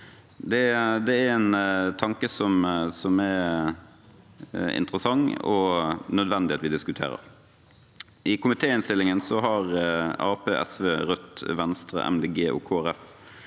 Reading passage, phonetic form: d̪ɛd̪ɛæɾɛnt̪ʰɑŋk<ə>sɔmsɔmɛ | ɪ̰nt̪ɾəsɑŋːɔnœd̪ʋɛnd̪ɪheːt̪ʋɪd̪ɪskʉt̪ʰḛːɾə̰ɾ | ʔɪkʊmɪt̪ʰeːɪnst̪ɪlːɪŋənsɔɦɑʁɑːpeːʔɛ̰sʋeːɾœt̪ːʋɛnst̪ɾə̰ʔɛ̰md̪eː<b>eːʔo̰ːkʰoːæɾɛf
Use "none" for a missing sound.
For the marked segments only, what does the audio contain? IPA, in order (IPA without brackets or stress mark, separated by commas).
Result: ə, ɡ